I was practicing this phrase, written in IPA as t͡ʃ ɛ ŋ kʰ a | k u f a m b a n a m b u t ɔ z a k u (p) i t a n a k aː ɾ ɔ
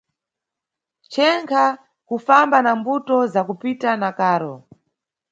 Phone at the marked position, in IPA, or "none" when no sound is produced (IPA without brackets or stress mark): p